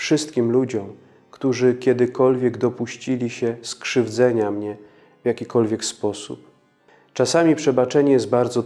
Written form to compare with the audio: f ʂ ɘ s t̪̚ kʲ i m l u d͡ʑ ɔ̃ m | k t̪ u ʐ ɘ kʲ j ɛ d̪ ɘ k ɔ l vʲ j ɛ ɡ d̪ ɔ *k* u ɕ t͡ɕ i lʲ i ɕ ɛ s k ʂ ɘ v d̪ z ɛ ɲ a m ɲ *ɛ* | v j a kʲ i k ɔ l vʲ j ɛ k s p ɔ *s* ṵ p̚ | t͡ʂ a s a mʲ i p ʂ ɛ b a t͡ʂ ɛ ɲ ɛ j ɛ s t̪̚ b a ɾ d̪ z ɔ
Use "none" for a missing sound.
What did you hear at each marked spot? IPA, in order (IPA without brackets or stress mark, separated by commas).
p, ɛ, s